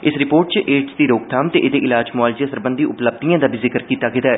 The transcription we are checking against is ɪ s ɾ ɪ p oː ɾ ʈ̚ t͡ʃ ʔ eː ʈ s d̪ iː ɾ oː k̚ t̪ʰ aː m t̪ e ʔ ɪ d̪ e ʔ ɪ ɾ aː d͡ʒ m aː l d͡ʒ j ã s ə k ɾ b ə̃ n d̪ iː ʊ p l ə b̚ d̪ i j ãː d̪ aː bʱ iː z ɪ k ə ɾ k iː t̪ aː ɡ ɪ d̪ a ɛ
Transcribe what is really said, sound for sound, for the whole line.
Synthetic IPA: ɪ s ɾ ɪ p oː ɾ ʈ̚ t͡ʃ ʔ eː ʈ s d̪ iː ɾ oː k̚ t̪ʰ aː m t̪ e ʔ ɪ d̪ e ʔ ɪ l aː d͡ʒ m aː l d͡ʒ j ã s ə ɾ b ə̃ n d̪ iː ʊ p l ə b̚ d̪ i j ãː d̪ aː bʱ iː z ɪ k ə ɾ k iː t̪ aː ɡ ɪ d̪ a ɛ